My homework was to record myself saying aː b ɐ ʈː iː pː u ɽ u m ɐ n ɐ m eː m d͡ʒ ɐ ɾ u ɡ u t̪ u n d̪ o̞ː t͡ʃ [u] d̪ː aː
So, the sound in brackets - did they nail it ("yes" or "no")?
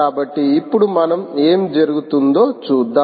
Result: no